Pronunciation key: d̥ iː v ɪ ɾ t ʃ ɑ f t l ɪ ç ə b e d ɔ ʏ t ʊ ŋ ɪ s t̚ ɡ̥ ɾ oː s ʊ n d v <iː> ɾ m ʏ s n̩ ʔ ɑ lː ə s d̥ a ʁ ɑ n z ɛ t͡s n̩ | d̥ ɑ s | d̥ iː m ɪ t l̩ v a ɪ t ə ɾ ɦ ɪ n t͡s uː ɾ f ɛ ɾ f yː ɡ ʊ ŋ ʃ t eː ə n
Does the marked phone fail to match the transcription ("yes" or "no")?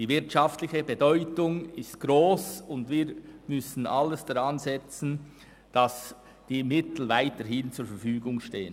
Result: no